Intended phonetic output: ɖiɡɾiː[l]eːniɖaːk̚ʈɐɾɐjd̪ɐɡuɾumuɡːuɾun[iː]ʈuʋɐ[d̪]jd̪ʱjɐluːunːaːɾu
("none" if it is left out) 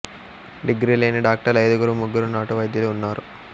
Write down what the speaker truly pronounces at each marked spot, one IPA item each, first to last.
l, aː, none

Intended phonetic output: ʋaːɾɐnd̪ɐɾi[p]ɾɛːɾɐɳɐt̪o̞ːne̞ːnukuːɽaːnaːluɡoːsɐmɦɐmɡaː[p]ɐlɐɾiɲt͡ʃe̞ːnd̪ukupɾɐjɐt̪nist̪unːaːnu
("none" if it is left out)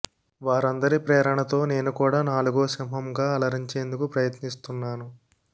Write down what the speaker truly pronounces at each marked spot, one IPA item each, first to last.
p, none

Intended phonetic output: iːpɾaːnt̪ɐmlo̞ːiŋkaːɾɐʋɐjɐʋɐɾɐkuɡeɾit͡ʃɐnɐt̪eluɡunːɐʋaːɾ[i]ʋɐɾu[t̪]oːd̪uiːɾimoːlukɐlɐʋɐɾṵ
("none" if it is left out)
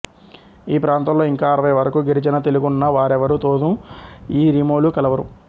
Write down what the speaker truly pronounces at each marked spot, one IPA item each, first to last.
ɛ, t̪

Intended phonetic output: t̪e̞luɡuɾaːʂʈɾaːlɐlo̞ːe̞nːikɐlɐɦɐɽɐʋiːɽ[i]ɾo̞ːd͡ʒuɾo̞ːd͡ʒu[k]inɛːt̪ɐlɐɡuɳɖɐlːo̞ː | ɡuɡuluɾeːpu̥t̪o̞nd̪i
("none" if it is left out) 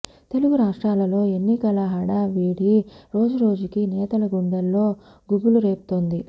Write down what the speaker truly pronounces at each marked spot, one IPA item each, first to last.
i, k

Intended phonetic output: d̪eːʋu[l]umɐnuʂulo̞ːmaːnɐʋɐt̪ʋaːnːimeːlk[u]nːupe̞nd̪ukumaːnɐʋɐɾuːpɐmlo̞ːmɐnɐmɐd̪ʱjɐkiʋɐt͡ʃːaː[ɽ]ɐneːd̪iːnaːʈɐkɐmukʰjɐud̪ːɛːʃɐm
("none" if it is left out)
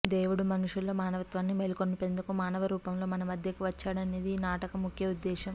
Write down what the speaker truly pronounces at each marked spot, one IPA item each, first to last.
ɽ, o, ɽ

